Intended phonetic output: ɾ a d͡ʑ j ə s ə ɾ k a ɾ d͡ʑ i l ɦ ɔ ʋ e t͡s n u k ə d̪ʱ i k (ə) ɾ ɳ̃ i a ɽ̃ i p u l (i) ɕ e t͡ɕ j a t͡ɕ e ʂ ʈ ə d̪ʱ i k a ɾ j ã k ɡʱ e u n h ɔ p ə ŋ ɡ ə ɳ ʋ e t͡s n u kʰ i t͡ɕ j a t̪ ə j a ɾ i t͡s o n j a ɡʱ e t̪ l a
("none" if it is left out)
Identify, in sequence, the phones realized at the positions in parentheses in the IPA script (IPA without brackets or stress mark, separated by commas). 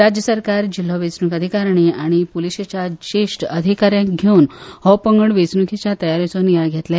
a, i